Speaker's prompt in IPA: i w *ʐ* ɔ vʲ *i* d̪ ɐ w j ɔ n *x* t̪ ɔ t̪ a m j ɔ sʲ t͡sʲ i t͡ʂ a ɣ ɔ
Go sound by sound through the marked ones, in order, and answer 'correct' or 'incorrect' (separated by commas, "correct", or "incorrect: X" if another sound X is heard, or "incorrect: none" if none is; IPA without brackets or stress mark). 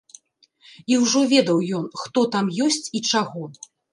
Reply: correct, incorrect: ɛ, correct